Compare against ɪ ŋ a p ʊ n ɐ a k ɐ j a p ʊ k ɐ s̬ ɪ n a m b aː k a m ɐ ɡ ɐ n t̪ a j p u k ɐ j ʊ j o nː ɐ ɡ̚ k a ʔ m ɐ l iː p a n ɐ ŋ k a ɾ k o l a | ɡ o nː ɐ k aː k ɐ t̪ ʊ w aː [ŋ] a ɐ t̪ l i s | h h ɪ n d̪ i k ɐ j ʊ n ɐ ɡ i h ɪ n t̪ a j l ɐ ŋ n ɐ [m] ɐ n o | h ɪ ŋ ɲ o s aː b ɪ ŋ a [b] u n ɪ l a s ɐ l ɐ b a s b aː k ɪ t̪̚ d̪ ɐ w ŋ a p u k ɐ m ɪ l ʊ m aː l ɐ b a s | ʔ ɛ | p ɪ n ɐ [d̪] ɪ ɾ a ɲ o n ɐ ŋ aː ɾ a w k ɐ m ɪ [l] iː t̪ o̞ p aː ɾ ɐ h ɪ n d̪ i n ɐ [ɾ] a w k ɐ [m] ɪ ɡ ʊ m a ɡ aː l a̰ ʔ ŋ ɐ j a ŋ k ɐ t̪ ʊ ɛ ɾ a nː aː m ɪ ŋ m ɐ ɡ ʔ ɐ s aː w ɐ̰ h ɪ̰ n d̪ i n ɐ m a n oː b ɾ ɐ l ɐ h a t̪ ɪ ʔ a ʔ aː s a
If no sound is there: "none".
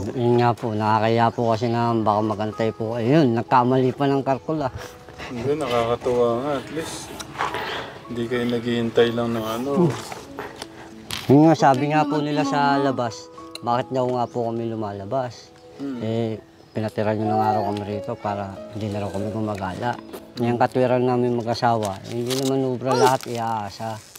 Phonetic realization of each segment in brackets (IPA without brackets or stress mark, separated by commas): ŋ, ŋ, p, t̪, ɾ, ɾ, m